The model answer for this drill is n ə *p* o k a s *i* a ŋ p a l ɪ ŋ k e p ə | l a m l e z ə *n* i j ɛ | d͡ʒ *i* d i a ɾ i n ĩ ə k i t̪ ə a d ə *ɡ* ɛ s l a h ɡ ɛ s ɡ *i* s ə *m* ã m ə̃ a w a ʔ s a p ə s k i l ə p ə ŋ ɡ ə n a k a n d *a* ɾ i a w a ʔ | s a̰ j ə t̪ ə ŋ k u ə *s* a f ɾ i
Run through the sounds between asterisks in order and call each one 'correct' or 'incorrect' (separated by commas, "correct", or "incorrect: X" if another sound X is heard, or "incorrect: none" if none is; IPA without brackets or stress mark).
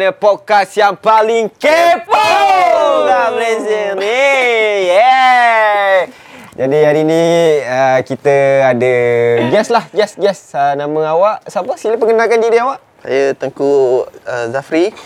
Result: correct, incorrect: j, correct, incorrect: a, correct, incorrect: ɛ, incorrect: n, incorrect: i, incorrect: z